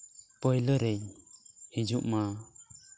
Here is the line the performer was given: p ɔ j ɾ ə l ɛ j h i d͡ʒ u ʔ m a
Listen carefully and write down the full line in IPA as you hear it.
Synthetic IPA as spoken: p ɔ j l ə ɾ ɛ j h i d͡ʒ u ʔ m a